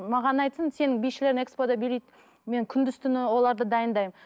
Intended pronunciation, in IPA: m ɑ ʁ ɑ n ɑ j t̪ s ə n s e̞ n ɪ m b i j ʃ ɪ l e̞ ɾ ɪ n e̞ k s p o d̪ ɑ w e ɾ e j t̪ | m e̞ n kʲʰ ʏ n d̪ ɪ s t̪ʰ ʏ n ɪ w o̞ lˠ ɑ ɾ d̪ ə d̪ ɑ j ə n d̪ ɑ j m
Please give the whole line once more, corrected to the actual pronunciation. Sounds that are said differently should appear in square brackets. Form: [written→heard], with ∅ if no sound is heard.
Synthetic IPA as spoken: m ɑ ʁ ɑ n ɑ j t̪ s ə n s e̞ n ɪ [m→ŋ] b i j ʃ ɪ l e̞ ɾ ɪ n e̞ k s p o d̪ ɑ [w→b] e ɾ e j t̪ | m e̞ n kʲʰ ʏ n d̪ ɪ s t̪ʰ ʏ n ɪ w o̞ lˠ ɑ ɾ d̪ ə d̪ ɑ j ə n d̪ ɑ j m